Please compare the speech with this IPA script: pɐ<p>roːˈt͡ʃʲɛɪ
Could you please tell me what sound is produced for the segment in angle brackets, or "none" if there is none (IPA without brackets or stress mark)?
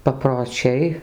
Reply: p